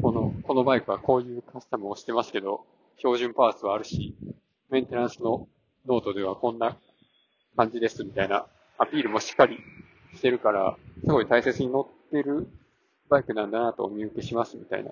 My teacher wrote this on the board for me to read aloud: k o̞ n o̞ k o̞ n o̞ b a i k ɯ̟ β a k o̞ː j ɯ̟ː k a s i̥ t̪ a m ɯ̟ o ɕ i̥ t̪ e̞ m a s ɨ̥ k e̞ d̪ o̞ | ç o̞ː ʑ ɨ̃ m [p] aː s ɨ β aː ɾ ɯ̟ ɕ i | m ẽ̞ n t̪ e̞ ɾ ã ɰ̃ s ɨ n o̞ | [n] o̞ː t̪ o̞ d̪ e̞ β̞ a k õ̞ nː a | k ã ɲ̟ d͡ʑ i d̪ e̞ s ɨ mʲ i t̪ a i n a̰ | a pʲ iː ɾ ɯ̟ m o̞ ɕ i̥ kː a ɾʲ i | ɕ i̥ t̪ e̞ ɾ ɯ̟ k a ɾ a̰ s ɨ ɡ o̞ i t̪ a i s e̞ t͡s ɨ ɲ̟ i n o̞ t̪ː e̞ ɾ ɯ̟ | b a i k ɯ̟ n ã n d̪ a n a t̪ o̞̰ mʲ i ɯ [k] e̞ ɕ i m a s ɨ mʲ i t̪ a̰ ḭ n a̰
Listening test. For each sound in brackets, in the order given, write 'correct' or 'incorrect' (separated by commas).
correct, correct, correct